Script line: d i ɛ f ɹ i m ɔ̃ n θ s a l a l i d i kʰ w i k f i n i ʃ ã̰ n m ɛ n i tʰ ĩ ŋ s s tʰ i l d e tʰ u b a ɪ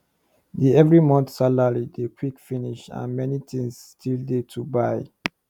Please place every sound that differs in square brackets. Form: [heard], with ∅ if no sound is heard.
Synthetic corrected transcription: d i ɛ [v] ɹ i m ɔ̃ n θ s a l a [ɹ] i d [e] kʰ w i k f i n i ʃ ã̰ n m ɛ n i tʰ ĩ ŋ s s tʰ i l d e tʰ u b a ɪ